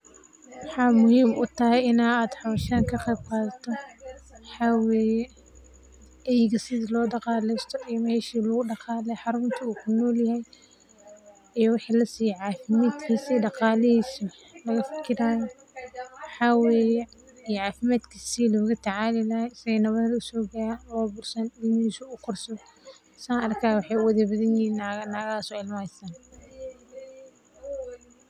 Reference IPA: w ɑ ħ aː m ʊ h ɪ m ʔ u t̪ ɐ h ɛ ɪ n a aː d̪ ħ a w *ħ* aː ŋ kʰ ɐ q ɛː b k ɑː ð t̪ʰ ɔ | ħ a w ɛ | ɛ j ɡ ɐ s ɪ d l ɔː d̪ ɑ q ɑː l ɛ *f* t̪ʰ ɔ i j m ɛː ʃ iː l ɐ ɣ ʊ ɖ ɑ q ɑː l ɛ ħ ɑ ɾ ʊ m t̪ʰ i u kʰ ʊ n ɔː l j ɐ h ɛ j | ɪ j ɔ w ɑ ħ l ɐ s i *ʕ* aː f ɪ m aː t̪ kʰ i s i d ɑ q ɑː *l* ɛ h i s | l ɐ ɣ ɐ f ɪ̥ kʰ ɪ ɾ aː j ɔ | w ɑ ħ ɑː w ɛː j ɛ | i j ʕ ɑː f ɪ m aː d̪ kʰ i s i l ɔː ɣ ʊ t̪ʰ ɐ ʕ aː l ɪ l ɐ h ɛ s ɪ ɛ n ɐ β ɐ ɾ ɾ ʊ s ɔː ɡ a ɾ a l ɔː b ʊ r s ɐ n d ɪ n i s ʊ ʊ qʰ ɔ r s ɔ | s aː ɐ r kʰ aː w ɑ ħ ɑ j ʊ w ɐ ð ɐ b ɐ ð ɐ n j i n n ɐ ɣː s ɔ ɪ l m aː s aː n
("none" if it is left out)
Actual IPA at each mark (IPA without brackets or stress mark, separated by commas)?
ʃ, s, ʕ, l